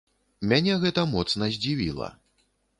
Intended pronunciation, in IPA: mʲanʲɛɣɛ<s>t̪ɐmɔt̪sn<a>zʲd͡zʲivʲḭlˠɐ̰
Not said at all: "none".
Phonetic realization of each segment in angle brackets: none, ɐ

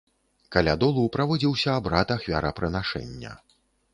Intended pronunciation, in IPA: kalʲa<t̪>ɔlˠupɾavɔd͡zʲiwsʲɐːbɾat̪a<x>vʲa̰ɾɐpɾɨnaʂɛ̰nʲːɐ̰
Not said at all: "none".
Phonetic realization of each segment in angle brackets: d̪, x

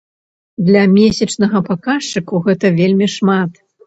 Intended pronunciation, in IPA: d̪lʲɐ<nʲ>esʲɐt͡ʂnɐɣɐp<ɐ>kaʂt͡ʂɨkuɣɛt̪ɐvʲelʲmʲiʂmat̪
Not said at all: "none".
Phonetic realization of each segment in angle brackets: mʲ, a

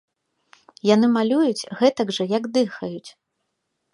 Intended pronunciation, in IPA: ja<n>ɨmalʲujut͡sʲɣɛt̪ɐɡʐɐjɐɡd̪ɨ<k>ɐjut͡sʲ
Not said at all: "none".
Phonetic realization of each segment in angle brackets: n, x

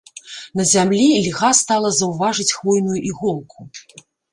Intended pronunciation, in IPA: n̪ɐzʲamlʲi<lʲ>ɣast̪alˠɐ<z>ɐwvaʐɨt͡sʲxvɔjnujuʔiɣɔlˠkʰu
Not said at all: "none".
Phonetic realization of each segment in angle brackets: lʲ, z

